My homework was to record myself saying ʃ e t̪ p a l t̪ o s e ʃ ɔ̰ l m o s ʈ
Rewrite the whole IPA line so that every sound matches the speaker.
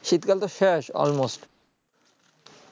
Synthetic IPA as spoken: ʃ i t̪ k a l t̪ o ʃ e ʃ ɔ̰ l m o s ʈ

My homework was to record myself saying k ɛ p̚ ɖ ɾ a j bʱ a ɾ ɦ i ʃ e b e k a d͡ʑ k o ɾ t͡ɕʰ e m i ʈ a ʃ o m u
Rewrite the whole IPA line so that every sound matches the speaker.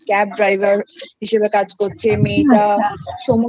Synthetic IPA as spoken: k ɛ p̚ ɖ ɾ a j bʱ a ɾ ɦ i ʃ e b e k a d͡ʑ k o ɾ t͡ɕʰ e m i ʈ a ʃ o m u

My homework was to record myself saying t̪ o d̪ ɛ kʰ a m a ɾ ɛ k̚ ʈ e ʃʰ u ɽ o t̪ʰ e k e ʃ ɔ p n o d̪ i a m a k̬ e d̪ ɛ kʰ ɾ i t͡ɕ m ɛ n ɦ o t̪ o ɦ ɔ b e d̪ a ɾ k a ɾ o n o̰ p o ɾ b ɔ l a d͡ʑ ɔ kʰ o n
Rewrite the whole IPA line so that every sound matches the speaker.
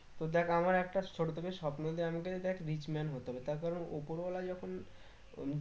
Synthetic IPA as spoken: t̪ o d̪ ɛ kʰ a m a ɾ ɛ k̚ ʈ a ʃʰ o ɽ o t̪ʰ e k e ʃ ɔ p n o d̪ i a m a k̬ e d̪ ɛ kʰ ɾ i t͡ɕ m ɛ n ɦ o t̪ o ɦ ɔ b e t̪ a ɾ k a ɾ o n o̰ p o ɾ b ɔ l a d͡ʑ ɔ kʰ o n

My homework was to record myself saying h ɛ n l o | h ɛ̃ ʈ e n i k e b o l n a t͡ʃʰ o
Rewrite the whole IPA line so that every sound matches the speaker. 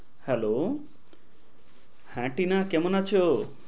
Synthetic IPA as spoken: h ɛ l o | h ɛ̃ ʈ i n a k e m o n a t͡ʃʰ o

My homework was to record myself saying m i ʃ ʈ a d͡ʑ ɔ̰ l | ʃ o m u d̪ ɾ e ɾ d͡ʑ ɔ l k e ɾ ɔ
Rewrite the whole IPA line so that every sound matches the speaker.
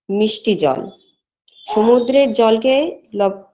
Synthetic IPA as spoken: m i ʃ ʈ i d͡ʑ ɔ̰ l | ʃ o m u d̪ ɾ e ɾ d͡ʑ ɔ l k e l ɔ

